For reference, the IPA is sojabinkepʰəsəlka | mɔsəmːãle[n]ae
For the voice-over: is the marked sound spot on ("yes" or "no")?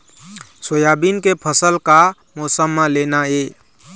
yes